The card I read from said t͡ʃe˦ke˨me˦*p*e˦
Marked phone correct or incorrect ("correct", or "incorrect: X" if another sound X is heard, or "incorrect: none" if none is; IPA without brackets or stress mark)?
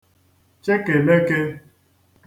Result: incorrect: k